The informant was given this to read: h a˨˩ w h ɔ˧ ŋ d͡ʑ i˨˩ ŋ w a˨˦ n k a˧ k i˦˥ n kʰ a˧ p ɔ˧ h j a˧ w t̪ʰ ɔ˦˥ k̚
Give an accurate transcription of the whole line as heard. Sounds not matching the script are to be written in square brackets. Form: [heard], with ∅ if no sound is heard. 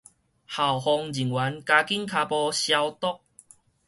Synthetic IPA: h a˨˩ w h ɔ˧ ŋ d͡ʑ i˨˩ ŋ w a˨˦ n k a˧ k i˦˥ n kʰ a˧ p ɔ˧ [ɕ] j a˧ w [t̪] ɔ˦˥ k̚